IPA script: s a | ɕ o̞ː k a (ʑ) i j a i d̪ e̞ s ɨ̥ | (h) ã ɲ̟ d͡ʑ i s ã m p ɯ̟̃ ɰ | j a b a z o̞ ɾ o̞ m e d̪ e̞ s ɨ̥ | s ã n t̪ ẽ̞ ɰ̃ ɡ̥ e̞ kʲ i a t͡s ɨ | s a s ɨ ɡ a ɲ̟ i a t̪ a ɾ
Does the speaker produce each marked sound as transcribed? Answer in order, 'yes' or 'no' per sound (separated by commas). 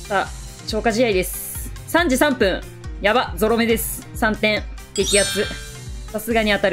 yes, no